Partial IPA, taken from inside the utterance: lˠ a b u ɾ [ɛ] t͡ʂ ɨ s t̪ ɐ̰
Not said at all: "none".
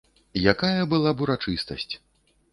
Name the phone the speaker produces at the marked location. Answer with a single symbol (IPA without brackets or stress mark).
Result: a